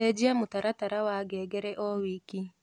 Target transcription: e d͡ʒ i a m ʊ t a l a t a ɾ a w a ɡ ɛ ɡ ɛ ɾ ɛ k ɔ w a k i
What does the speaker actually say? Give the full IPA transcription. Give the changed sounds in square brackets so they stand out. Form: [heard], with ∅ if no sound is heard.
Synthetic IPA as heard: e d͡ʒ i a m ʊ t a [ɾ] a t a ɾ a w a ɡ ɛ ɡ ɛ ɾ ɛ [ʔ] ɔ w [i] k i